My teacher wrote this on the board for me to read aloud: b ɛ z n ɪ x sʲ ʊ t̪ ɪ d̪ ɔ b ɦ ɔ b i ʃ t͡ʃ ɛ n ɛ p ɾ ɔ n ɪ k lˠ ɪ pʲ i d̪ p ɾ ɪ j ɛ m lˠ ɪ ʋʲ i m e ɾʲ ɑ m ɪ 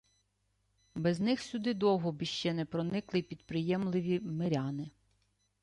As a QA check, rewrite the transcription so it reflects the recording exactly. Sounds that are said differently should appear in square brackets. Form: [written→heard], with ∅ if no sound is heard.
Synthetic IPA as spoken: b ɛ z n ɪ x sʲ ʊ [t̪→d̪] ɪ d̪ ɔ [b→w] ɦ ɔ b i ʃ t͡ʃ ɛ n ɛ p ɾ ɔ n ɪ k lˠ ɪ pʲ i d̪ p ɾ ɪ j ɛ m lˠ ɪ ʋʲ i m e ɾʲ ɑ [m→n] ɪ